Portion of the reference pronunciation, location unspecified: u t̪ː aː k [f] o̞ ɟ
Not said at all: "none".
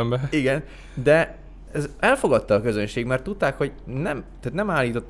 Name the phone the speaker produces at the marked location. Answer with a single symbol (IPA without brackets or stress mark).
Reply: h